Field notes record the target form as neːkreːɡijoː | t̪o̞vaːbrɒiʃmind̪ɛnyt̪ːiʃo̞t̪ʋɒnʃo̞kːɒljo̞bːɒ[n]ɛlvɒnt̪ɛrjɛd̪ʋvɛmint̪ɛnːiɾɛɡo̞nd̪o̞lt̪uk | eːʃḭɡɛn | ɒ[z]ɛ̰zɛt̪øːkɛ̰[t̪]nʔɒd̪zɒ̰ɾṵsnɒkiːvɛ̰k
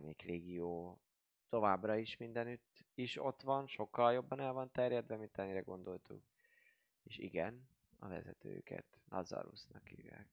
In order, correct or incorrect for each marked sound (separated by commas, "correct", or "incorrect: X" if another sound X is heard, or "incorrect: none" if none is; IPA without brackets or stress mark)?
correct, incorrect: v, correct